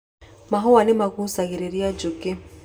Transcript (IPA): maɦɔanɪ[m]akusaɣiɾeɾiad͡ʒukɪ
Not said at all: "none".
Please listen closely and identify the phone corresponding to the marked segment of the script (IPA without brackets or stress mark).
m